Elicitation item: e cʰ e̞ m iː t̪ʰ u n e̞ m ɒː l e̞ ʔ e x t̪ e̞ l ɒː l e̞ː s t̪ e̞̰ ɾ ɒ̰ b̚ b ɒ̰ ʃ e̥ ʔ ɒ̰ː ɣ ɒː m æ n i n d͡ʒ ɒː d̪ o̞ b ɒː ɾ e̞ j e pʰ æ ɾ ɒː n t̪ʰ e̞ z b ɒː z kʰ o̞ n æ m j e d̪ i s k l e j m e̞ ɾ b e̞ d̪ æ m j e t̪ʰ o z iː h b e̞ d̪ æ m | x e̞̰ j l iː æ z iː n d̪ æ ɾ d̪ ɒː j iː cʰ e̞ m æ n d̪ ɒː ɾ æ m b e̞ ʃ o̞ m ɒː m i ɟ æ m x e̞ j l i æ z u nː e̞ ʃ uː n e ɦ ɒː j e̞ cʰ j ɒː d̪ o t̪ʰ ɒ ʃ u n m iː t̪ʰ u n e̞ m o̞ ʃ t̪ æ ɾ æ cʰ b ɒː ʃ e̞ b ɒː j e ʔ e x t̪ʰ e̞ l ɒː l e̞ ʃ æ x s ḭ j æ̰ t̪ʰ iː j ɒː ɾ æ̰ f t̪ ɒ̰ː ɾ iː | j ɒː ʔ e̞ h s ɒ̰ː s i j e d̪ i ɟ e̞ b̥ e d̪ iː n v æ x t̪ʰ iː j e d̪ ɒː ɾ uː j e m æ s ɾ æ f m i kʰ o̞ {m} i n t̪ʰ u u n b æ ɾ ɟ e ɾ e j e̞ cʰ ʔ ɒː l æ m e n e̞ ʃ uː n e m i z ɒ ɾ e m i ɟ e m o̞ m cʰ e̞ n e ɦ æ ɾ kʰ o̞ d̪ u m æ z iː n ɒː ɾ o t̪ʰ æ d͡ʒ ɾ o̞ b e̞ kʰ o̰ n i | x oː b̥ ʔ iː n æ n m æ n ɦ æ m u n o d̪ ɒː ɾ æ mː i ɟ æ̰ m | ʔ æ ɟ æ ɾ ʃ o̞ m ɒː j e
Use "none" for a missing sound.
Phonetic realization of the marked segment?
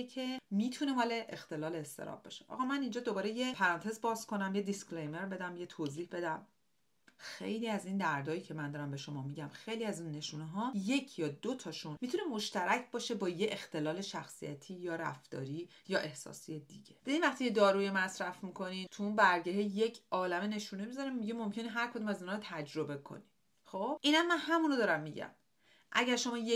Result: n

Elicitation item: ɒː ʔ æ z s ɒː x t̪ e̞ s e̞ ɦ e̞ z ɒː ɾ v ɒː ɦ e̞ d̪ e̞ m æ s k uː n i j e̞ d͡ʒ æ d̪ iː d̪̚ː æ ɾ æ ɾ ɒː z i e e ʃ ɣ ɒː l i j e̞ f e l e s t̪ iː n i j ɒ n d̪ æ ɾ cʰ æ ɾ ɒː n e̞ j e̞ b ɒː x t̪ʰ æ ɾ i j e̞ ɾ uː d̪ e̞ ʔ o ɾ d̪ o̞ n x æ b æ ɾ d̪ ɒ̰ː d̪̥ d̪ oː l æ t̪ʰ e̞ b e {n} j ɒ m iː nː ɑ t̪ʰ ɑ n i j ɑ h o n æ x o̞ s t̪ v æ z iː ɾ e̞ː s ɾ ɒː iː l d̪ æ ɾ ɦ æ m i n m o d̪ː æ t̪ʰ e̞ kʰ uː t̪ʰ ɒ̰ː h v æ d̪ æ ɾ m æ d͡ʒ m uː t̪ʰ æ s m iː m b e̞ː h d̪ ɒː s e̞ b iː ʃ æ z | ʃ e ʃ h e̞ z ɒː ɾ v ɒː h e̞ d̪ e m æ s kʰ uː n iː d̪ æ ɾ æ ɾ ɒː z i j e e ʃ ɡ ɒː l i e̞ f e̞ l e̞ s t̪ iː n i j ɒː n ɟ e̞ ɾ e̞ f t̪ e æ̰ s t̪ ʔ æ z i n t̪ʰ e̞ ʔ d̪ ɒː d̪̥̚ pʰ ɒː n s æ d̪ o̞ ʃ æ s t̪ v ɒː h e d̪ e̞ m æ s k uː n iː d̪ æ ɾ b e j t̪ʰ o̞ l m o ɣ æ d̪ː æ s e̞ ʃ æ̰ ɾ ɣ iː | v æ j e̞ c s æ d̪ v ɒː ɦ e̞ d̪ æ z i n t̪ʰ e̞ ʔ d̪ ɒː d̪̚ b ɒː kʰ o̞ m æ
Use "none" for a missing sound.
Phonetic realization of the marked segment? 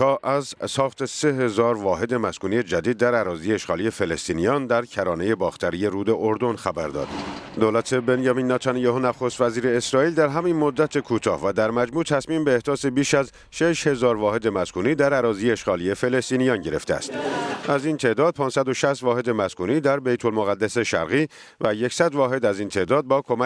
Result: n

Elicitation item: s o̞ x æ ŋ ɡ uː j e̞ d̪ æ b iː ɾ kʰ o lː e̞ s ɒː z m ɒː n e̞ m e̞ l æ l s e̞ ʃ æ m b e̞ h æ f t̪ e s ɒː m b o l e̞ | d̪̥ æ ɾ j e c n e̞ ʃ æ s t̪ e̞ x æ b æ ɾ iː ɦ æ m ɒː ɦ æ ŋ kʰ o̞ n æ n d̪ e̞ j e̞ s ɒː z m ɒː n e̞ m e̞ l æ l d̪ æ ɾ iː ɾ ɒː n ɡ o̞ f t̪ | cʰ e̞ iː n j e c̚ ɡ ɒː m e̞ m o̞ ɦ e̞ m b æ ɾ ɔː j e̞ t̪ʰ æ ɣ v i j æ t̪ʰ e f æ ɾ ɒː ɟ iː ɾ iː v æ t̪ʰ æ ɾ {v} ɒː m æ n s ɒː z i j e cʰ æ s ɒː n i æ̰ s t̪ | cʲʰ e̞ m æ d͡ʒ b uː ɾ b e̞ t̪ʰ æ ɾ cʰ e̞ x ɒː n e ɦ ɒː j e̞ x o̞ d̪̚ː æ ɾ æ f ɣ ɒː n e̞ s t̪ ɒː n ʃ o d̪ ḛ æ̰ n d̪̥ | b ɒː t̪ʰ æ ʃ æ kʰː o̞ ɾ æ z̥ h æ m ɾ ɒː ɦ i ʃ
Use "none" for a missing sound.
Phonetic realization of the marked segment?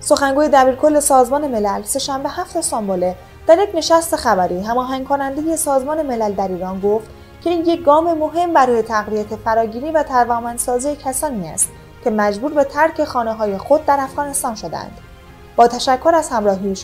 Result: v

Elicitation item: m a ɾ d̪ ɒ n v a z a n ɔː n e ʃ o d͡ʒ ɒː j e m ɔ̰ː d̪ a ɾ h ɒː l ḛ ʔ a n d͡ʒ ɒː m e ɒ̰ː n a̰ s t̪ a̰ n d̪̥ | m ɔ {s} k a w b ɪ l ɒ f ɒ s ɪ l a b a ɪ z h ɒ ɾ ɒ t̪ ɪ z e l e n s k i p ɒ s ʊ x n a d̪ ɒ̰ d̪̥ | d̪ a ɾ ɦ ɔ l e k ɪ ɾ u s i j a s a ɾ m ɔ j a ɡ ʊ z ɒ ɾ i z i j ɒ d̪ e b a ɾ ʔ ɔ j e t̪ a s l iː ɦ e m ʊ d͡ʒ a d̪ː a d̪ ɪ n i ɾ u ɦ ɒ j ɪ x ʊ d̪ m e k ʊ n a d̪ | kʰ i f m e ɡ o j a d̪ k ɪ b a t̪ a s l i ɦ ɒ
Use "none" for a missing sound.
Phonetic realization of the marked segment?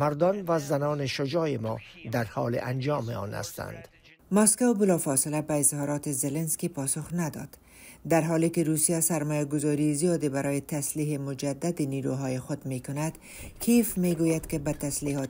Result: s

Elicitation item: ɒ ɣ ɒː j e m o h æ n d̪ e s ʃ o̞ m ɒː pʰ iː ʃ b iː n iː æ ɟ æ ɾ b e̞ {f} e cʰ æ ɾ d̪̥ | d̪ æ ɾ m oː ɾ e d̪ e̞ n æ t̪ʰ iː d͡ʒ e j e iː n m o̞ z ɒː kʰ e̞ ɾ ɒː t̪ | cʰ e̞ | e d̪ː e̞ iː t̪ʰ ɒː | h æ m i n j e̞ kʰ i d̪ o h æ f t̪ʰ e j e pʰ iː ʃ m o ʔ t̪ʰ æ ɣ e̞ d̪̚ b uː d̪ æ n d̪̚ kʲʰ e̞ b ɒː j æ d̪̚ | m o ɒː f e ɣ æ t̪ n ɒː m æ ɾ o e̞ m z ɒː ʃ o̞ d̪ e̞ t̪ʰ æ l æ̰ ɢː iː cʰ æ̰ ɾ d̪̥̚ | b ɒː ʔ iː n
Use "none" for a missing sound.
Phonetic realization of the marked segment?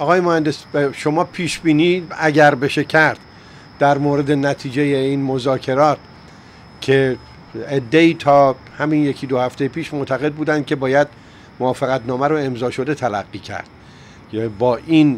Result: ʃ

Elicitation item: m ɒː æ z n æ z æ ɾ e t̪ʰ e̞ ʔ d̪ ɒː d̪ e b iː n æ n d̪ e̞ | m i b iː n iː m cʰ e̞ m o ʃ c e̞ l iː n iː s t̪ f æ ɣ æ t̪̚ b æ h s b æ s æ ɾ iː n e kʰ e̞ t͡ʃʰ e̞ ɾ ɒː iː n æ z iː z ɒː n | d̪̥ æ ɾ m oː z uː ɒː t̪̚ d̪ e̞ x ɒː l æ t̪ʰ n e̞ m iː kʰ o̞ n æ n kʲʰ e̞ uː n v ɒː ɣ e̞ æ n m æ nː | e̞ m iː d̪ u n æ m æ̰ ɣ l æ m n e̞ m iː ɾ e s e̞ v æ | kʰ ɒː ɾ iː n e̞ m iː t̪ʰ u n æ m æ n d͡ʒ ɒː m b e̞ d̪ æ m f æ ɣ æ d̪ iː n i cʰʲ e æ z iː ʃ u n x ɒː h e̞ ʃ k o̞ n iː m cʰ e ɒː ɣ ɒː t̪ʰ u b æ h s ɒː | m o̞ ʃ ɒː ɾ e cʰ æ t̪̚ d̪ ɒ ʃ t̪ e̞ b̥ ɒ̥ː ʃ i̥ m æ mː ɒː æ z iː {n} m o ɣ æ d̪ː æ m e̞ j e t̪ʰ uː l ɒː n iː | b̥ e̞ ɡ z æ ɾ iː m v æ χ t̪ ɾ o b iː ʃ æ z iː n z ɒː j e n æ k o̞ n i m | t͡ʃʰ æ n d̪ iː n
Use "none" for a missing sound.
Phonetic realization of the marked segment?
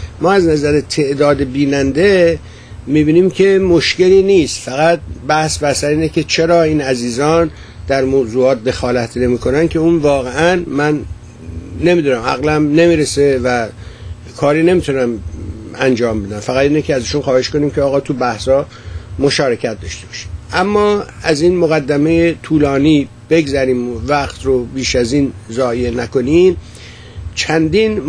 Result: n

